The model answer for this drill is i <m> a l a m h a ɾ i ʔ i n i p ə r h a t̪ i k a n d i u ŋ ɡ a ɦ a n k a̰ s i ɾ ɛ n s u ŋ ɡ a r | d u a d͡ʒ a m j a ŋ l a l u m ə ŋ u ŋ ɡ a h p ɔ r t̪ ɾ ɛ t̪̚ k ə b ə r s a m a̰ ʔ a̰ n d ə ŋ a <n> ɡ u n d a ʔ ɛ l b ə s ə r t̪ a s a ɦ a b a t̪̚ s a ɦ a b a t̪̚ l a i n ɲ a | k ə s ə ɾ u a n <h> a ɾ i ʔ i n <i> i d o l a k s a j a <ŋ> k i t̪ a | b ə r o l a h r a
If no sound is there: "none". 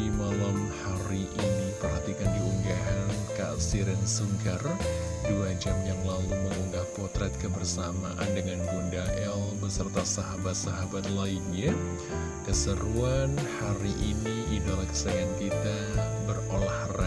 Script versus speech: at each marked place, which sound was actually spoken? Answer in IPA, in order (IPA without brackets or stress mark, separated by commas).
m, n, h, i, n